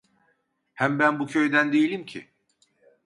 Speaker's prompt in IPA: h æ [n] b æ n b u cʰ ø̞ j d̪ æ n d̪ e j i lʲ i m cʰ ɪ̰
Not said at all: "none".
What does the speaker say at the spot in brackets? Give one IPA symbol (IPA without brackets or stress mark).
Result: m